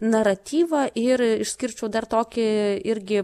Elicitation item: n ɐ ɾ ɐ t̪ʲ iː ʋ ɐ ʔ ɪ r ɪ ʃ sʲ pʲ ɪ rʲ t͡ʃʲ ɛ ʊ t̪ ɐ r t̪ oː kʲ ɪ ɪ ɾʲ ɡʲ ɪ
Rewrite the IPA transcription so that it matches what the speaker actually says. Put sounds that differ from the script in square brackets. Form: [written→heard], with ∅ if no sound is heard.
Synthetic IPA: n ɐ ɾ ɐ t̪ʲ iː ʋ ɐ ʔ ɪ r ɪ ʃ sʲ [pʲ→kʲ] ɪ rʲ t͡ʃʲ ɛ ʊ [t̪→d̪] ɐ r t̪ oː kʲ ɪ ɪ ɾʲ ɡʲ ɪ